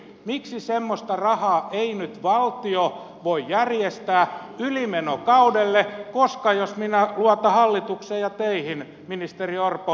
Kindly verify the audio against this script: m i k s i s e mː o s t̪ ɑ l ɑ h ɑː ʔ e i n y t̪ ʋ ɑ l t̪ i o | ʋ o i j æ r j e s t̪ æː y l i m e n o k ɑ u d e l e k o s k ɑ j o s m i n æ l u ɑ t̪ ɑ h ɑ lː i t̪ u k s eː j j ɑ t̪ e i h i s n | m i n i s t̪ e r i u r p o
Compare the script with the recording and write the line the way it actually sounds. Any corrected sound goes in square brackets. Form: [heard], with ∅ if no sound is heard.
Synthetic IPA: m i k s i s e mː o s t̪ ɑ [r] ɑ h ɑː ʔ e i n y t̪ ʋ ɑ l t̪ i o | ʋ o i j æ r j e s t̪ æː y l i m e n o k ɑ u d e [lː] e k o s k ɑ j o s m i n æ l u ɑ t̪ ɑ h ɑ lː i t̪ u k s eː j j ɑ t̪ e i h i [∅] n | m i n i s t̪ e r i [o] r p o